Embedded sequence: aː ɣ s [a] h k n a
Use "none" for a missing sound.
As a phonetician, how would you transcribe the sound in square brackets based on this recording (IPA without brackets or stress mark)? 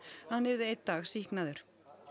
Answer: i